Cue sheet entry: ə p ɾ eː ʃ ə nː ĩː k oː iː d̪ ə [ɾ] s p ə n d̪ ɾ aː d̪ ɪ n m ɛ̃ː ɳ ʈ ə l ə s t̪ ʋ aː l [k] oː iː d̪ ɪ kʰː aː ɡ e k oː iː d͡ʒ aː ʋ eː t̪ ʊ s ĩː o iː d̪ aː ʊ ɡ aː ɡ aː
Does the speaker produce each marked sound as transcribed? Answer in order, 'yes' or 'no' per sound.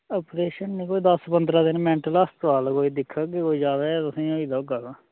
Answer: no, yes

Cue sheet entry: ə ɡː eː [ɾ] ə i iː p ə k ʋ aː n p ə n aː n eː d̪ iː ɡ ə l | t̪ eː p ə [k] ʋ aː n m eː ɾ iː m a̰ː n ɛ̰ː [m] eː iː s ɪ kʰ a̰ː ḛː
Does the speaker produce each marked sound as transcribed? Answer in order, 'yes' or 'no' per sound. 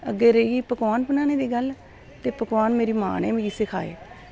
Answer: yes, yes, yes

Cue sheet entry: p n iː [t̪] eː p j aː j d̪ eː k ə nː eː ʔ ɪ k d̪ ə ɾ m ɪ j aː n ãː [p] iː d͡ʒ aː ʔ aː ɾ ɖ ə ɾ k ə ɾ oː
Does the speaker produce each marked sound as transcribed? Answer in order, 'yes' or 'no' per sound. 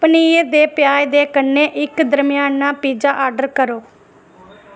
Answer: no, yes

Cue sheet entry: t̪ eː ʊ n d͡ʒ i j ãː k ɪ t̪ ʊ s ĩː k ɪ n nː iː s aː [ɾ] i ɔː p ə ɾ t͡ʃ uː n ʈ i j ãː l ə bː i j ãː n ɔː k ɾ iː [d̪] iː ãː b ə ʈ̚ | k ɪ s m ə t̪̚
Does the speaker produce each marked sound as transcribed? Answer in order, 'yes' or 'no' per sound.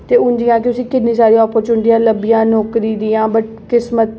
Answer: yes, yes

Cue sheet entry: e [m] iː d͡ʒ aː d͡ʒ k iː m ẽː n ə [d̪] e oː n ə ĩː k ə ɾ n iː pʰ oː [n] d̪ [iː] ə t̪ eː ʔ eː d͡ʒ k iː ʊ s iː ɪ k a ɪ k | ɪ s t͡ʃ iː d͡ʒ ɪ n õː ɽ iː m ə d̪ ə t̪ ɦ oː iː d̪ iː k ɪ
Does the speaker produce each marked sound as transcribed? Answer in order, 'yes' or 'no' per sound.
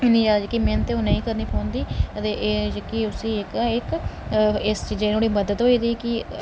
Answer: no, no, yes, yes

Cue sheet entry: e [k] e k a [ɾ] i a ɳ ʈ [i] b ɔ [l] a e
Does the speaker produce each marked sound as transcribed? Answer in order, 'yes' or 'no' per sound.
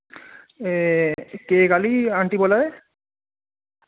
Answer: yes, no, yes, yes

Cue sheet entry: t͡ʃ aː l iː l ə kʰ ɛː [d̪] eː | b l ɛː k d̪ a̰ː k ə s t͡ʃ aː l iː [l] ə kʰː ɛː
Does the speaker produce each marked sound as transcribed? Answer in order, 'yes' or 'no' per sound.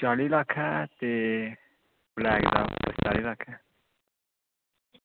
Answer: no, yes

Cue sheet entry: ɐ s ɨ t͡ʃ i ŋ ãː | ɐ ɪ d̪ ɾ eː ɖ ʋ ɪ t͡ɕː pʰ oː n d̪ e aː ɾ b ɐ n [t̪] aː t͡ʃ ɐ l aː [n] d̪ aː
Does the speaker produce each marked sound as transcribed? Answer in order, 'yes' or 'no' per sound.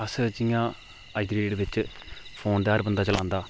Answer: no, yes

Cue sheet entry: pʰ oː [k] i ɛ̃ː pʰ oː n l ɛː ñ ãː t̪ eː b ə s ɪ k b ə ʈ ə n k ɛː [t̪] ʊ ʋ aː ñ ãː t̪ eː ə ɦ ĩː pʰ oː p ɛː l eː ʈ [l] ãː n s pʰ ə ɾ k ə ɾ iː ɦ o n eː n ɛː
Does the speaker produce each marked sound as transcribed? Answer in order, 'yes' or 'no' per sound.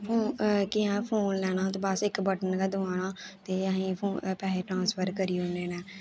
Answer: yes, no, no

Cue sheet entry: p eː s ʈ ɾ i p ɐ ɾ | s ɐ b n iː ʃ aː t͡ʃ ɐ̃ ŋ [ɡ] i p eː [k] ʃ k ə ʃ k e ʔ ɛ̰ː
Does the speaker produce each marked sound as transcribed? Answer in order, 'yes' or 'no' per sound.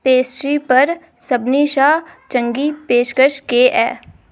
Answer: yes, no

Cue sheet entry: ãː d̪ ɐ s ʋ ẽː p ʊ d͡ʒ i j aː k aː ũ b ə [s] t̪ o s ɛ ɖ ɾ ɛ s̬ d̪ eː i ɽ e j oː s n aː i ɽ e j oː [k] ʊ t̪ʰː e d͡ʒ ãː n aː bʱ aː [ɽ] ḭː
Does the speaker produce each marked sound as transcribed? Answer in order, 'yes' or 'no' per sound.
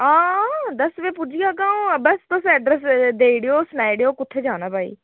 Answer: yes, yes, no

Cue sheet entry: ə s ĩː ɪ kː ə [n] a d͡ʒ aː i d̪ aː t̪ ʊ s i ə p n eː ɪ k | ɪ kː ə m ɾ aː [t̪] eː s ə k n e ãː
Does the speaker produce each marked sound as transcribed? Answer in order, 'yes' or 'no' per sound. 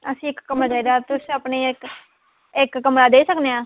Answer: no, no

